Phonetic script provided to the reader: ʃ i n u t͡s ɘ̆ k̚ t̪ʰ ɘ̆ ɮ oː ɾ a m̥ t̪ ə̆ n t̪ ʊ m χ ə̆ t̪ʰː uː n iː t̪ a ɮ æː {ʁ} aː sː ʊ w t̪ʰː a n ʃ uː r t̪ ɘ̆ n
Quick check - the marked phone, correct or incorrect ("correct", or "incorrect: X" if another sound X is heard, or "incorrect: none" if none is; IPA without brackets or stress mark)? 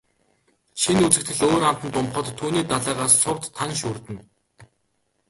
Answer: correct